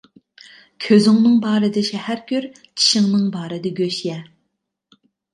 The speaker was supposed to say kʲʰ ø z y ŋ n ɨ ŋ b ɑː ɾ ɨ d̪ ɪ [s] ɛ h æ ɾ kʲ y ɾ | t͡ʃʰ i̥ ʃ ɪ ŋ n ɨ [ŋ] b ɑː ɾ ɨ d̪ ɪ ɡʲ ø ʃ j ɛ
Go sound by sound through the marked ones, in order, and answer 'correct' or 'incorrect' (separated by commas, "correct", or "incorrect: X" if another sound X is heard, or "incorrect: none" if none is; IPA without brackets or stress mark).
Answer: incorrect: ʃ, correct